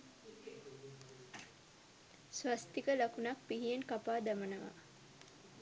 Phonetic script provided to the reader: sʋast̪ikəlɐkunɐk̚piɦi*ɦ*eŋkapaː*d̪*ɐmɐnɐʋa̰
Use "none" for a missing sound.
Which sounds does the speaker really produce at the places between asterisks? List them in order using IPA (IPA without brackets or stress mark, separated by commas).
none, d̪